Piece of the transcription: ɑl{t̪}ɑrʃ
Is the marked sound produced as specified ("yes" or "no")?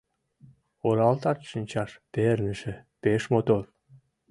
yes